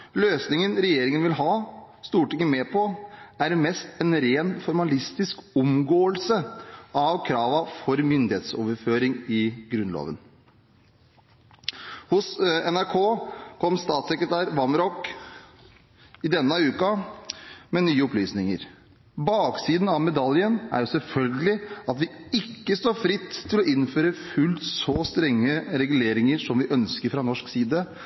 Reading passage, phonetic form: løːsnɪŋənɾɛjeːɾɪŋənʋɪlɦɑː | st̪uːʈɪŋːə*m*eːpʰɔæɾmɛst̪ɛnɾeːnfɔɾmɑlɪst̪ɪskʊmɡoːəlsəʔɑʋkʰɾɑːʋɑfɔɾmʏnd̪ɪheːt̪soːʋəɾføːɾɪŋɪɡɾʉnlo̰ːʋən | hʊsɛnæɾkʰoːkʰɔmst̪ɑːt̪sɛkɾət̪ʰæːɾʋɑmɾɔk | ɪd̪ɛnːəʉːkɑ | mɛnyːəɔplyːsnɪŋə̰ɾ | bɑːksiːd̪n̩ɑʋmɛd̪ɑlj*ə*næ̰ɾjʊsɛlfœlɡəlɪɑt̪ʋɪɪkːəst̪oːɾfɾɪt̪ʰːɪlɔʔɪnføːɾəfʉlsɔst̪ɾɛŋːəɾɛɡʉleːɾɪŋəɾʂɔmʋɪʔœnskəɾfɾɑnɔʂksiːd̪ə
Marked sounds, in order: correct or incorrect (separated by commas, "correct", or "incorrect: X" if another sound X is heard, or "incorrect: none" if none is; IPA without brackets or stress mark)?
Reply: correct, correct